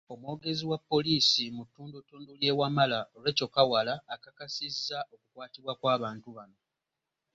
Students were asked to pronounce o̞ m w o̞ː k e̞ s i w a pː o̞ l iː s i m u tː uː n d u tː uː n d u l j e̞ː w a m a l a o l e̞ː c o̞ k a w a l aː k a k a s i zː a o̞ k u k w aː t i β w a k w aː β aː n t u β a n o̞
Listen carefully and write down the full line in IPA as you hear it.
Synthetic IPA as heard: o̞ m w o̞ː ɡ e̞ z i w a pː o̞ l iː s i m u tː uː n d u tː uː n d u l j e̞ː w a m a l a o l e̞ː c o̞ k a w a l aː k a k a s i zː a o̞ k u k w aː t i β w a k w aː β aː n t u β a n o̞